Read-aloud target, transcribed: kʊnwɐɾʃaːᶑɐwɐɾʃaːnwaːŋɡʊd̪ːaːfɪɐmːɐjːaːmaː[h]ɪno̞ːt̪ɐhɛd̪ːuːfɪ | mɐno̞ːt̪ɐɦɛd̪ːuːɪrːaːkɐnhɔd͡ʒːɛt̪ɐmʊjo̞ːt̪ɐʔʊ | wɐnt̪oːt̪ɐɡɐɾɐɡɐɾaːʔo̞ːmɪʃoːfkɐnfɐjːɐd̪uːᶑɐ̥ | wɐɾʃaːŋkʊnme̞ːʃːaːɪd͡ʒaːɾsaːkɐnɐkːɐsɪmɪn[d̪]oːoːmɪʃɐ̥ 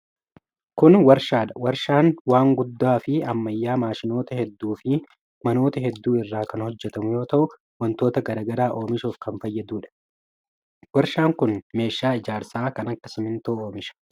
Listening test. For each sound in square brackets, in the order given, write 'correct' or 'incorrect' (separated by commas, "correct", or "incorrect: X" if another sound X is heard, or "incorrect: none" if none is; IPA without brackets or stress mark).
incorrect: ʃ, incorrect: t̪